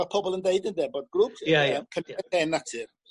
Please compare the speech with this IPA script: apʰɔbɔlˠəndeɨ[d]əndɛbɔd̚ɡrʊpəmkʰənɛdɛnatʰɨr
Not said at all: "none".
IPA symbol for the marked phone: d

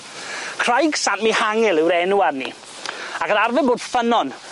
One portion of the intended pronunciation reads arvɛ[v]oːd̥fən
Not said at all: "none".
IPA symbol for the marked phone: b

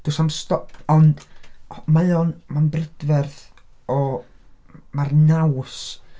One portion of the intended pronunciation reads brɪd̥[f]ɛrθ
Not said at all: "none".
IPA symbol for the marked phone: v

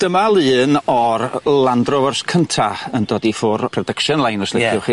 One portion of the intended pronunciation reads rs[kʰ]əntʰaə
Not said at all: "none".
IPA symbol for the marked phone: kʰ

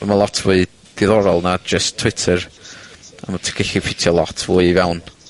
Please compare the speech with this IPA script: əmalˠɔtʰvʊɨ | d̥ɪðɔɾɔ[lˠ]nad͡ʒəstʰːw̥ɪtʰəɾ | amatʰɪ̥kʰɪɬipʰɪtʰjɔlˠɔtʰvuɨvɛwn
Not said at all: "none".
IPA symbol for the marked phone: lˠ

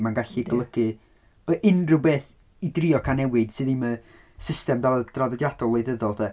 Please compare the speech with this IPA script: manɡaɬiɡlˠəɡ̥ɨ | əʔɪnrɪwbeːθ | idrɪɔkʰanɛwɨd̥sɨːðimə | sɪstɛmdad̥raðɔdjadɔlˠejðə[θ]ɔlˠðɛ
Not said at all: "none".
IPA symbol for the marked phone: ð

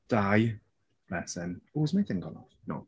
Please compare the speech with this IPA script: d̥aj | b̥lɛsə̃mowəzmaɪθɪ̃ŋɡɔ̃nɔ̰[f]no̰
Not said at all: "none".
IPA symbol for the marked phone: f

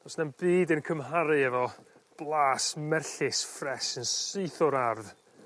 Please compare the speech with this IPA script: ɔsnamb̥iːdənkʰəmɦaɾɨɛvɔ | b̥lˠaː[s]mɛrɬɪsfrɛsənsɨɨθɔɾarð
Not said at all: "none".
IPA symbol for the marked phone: s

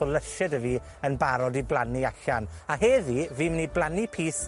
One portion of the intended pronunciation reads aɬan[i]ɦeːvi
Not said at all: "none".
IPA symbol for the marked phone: a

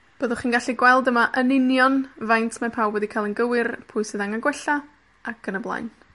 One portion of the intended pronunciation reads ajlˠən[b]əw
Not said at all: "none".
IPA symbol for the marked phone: ɡ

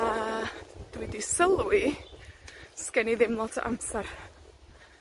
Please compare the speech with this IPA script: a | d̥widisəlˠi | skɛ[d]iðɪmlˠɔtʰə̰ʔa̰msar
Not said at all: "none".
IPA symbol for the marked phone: n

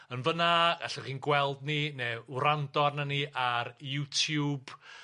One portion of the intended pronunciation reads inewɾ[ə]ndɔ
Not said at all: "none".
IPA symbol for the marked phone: a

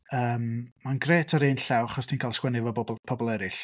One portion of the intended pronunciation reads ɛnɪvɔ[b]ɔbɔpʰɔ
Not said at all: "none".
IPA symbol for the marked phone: b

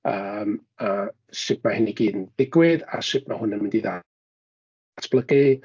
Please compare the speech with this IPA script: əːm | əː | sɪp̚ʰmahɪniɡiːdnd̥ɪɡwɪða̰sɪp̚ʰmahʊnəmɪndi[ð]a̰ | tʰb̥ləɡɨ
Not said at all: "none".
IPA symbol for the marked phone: ð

